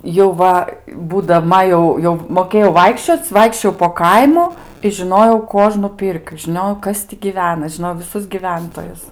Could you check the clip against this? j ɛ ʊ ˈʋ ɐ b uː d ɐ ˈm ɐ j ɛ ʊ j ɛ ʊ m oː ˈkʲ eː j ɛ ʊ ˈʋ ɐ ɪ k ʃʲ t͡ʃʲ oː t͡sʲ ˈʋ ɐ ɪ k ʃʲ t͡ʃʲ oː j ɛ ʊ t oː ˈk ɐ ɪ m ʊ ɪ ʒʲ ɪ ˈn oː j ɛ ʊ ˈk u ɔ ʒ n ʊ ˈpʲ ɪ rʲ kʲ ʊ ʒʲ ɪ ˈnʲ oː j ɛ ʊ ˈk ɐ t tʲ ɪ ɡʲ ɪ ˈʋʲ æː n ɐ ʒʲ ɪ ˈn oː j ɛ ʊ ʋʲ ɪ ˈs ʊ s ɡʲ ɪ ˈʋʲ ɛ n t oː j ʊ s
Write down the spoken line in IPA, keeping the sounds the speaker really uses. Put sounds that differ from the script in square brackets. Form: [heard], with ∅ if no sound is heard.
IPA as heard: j ɛ ʊ ˈʋ ɐ b uː d ɐ ˈm ɐ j ɛ ʊ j ɛ ʊ m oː ˈkʲ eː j ɛ ʊ ˈʋ ɐ ɪ k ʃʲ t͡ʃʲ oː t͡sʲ ˈʋ ɐ ɪ k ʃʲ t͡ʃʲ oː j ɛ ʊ [p] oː ˈk ɐ ɪ m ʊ ɪ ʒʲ ɪ ˈn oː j ɛ ʊ ˈk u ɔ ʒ n ʊ ˈpʲ ɪ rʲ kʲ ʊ ʒʲ ɪ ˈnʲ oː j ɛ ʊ ˈk ɐ [s] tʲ ɪ ɡʲ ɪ ˈʋʲ æː n ɐ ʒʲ ɪ ˈn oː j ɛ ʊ ʋʲ ɪ ˈs ʊ s ɡʲ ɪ ˈʋʲ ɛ n t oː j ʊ s